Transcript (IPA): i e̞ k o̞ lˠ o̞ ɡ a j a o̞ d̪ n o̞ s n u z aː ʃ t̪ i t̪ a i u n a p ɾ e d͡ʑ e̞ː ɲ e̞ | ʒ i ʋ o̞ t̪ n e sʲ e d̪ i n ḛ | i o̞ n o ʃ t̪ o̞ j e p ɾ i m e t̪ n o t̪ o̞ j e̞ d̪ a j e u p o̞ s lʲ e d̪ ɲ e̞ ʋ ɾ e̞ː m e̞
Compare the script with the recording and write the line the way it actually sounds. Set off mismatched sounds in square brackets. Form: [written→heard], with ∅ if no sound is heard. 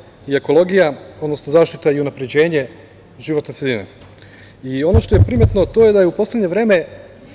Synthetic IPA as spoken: i e̞ k o̞ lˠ o̞ ɡ [a→i] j a o̞ d̪ n o̞ s n [u→o] z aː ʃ t̪ i t̪ a i u n a p ɾ e d͡ʑ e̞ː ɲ e̞ | ʒ i ʋ o̞ t̪ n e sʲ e d̪ i n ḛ | i o̞ n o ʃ t̪ o̞ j e p ɾ i m e t̪ n o t̪ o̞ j e̞ d̪ a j e u p o̞ s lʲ e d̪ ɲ e̞ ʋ ɾ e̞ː m e̞